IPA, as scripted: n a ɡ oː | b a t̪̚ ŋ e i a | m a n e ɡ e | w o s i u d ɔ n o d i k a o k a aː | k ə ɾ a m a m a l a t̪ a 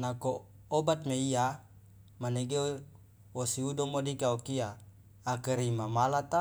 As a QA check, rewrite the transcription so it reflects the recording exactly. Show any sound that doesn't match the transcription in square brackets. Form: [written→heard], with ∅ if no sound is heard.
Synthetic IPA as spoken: n a [ɡ→k] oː | b a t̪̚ [ŋ→m] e i a | m a n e ɡ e | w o s i u d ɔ [n→m] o d i k a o k [a→i] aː | k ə ɾ [a→i] m a m a l a t̪ a